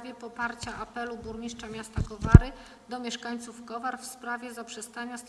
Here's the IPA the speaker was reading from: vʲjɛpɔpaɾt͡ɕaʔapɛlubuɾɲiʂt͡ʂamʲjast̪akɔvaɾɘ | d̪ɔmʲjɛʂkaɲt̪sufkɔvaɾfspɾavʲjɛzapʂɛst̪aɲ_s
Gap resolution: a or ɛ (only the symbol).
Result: a